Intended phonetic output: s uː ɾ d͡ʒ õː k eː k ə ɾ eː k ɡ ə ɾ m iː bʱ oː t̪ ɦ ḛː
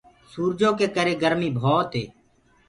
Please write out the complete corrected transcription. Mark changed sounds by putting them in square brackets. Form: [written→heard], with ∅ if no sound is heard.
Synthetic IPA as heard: s uː ɾ d͡ʒ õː k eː k ə ɾ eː [k→∅] ɡ ə ɾ m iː bʱ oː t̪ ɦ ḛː